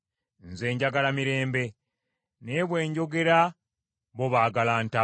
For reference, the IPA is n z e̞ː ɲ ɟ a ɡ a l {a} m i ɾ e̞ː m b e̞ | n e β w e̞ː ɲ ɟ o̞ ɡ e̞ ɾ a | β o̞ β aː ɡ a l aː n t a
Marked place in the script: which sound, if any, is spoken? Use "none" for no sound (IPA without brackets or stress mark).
a